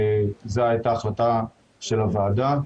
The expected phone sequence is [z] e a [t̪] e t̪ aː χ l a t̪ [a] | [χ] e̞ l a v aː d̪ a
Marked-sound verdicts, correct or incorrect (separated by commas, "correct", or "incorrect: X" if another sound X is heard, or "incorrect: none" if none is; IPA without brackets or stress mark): correct, incorrect: none, correct, incorrect: ʃ